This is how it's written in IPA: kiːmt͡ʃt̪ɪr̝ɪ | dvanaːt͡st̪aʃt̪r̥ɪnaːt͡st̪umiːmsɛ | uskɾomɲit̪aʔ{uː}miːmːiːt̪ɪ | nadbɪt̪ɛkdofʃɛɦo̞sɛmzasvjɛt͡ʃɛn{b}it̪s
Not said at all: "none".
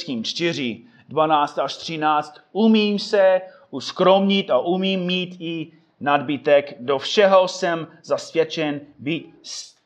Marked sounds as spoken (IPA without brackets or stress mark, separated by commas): u, b